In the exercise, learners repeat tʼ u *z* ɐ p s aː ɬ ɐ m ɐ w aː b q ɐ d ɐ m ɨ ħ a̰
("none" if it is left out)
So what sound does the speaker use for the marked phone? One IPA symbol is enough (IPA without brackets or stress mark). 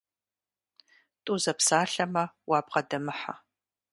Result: z